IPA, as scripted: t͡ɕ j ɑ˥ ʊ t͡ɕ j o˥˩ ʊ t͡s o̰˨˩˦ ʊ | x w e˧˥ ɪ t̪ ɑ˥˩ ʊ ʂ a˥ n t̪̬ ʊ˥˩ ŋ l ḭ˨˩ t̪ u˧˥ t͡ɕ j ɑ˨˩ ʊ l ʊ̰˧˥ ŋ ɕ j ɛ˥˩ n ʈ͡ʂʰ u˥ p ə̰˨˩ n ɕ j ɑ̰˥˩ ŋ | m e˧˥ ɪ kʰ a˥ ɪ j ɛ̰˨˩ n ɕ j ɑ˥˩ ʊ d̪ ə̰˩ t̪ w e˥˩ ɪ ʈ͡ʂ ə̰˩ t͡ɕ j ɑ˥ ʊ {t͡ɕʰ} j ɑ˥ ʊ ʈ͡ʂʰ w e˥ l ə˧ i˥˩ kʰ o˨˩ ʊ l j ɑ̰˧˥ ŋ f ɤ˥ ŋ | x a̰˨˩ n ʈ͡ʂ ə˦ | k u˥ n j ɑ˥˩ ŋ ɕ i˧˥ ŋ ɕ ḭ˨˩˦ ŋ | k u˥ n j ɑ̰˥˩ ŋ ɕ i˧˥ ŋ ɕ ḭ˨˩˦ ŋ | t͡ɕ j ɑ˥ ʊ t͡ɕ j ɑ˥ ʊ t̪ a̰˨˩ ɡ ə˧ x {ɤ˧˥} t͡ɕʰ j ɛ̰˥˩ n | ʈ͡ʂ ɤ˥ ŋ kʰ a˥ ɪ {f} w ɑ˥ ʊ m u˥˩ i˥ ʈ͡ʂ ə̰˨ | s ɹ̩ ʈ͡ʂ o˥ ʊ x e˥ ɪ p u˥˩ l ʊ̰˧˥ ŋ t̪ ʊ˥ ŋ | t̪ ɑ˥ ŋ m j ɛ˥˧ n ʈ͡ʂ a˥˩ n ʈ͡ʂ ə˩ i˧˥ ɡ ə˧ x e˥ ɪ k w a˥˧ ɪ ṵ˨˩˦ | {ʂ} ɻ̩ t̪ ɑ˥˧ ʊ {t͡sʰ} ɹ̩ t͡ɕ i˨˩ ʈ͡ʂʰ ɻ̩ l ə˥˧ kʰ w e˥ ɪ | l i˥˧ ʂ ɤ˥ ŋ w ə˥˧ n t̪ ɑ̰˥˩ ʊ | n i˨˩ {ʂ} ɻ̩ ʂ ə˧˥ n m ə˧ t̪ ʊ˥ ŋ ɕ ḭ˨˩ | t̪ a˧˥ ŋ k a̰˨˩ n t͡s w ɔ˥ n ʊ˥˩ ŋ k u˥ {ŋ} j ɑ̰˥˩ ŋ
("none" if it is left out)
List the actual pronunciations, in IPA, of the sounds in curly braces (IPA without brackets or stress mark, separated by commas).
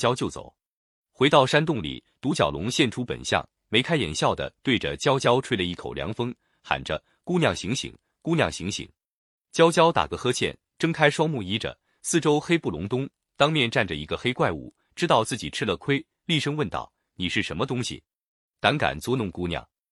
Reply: t͡ɕ, ɤ˥, ʂ, ʈ͡ʂ, t͡s, ʂ, n